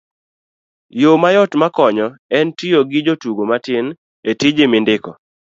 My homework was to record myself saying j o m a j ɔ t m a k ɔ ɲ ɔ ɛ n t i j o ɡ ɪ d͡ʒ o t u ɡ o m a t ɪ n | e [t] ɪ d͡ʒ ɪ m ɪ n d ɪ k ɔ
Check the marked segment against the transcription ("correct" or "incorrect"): correct